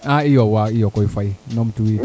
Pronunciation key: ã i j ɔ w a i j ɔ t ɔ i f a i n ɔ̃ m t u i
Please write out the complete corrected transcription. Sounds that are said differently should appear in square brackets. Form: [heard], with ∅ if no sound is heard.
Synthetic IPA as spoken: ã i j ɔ w a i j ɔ [k] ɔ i f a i n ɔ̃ m t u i

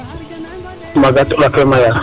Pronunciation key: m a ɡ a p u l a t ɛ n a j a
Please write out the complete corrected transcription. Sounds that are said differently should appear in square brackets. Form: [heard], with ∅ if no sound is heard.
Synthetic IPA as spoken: m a ɡ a [t] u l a [k] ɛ [m] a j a

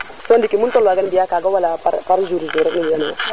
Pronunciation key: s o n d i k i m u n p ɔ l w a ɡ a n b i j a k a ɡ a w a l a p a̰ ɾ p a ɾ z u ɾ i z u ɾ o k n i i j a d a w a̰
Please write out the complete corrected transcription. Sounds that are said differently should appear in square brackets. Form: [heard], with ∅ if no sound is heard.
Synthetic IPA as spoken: s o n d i k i m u n [t] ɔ l w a ɡ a n b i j a k a ɡ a w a l a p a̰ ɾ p a ɾ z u ɾ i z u ɾ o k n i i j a [n] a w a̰

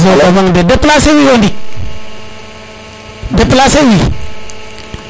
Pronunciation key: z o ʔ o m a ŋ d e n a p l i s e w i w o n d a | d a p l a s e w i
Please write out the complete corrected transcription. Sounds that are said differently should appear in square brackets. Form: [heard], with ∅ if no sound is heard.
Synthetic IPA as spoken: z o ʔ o m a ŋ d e [d] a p l [a] s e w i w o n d [i] | d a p l a s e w i

